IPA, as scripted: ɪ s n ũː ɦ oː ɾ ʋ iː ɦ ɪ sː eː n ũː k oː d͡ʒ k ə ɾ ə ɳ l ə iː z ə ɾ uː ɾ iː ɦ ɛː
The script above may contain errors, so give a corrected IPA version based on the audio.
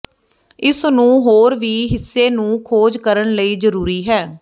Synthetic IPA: ɪ s n ũː ɦ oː ɾ ʋ iː ɦ ɪ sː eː n ũː kʰ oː d͡ʒ k ə ɾ ə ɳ l ə iː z ə ɾ uː ɾ iː ɦ ɛː

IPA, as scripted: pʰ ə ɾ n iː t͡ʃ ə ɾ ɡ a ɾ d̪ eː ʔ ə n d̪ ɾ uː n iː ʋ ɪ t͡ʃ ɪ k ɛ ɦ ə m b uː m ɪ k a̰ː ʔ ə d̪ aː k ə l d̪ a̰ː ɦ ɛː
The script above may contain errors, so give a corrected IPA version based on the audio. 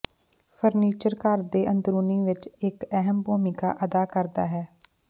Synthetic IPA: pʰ ə ɾ n iː t͡ʃ ə ɾ k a ɾ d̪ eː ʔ ə n d̪ ɾ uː n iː ʋ ɪ t͡ʃ ɪ k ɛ ɦ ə m b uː m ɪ k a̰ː ʔ ə d̪ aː k ə ɾ d̪ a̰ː ɦ ɛː

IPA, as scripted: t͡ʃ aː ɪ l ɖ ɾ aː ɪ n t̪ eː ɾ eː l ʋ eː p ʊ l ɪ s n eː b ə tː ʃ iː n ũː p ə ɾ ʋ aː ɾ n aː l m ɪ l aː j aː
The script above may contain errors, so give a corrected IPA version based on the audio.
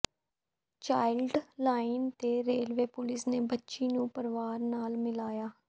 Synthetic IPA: t͡ʃ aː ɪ l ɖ l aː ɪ n t̪ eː ɾ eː l ʋ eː p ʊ l ɪ s n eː b ə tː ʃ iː n ũː p ə ɾ ʋ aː ɾ n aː l m ɪ l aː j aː

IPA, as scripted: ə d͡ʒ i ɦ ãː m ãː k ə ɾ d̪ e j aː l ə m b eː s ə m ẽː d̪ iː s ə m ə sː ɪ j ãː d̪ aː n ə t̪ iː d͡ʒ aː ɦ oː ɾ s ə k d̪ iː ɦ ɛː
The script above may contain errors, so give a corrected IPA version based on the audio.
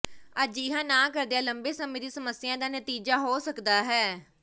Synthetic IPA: ə d͡ʒ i ɦ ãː n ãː k ə ɾ d̪ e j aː l ə m b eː s ə m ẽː d̪ iː s ə m ə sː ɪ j ãː d̪ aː n ə t̪ iː d͡ʒ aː ɦ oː s ə k d̪ aː ɦ ɛː

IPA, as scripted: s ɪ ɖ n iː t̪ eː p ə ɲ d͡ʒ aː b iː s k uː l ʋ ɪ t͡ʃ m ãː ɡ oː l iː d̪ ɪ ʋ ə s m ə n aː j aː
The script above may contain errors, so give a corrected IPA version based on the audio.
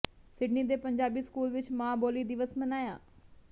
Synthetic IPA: s ɪ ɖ n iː d̪ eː p ə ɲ d͡ʒ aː b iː s k uː l ʋ ɪ t͡ʃ m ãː b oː l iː d̪ ɪ ʋ ə s m ə n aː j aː

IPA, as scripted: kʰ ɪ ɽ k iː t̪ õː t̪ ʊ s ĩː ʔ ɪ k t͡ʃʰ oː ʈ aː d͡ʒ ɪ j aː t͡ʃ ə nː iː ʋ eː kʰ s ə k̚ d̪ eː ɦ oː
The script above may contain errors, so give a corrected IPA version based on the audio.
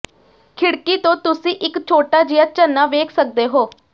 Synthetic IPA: kʰ ɪ ɽ k iː t̪ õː t̪ ʊ s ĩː ʔ ɪ k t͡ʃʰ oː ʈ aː d͡ʒ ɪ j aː t͡ʃ ə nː aː ʋ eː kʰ s ə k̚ d̪ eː ɦ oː

